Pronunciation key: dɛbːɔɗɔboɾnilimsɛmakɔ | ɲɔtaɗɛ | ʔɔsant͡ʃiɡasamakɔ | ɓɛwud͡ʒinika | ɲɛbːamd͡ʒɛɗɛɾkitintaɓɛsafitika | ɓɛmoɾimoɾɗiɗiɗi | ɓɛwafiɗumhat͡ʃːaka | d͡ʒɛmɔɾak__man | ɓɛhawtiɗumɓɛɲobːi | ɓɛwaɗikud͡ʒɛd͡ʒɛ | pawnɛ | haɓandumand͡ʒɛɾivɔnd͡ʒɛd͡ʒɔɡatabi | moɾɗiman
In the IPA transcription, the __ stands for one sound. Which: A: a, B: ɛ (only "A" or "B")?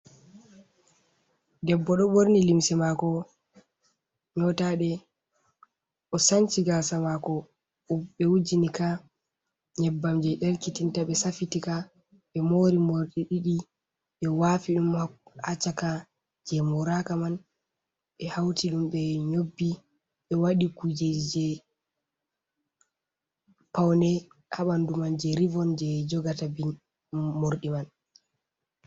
A